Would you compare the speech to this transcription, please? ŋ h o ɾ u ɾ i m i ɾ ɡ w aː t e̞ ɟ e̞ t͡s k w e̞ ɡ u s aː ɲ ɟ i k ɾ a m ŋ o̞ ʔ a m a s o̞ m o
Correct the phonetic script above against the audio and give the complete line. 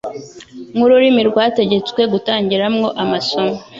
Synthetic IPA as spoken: ŋ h u ɾ u ɾ i m i ɾ ɡ w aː t e̞ ɟ e̞ t͡s k w e̞ ɡ u t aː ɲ ɟ i ɾ a m ŋ o̞ ʔ a m a s o̞ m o